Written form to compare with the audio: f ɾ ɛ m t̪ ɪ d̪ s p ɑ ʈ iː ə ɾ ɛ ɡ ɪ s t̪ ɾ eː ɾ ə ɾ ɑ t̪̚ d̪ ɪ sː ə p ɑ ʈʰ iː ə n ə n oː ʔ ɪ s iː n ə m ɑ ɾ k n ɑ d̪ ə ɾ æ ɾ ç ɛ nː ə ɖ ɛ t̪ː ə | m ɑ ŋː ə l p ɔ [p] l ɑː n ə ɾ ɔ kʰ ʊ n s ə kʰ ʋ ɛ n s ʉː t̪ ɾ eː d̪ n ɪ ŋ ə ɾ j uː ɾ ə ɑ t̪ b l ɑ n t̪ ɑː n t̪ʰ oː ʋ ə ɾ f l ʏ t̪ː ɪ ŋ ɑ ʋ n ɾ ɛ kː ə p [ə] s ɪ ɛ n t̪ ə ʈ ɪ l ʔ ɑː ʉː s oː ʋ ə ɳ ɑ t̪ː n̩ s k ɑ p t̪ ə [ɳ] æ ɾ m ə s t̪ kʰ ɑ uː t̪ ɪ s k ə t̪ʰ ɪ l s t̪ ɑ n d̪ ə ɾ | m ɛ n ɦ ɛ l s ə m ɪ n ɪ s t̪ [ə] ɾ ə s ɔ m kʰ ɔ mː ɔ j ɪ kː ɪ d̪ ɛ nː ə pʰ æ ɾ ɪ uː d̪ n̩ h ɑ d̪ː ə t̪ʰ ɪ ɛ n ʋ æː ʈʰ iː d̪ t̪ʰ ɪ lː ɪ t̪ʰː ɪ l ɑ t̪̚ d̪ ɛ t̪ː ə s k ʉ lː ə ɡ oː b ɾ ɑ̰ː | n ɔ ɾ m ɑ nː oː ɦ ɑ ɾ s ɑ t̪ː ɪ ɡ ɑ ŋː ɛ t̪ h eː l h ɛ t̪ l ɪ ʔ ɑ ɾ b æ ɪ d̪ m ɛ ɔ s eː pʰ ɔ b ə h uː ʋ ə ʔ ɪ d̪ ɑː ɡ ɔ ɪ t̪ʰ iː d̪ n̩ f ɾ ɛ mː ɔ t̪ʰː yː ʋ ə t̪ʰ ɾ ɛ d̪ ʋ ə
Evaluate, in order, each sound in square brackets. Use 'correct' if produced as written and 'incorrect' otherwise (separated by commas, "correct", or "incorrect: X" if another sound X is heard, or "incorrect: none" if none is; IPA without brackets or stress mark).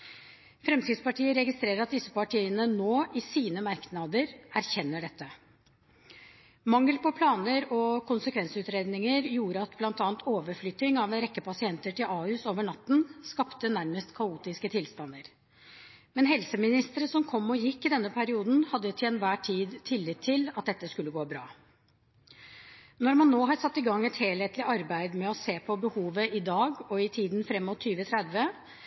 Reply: incorrect: pʰ, incorrect: ɑ, incorrect: n, correct